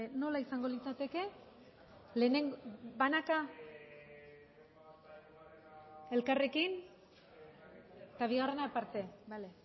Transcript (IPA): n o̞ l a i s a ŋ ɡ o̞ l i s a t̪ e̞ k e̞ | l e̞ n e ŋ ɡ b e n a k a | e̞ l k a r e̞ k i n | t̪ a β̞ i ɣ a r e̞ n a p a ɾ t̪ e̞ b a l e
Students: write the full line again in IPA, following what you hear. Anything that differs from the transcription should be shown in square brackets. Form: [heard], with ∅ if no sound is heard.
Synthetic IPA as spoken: n o̞ l a i s a ŋ ɡ o̞ l i [t͡s] a t̪ e̞ k e̞ | l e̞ n e ŋ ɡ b [a] n a k a | e̞ l k a r e̞ k i n | t̪ a β̞ i ɣ a r e̞ n a p a ɾ t̪ e̞ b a l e